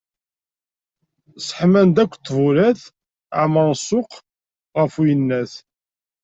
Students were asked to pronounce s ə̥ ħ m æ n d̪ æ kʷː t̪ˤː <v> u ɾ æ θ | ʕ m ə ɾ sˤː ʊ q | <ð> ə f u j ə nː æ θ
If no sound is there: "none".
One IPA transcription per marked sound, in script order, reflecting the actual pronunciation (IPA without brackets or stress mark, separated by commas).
v, ʁ